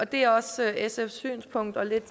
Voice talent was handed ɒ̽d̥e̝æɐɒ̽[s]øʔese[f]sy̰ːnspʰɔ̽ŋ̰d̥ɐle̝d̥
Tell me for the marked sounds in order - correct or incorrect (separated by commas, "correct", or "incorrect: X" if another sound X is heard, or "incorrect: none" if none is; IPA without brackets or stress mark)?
correct, correct